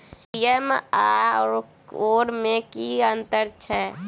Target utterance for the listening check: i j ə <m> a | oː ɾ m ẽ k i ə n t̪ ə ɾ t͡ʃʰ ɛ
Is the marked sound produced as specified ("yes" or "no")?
yes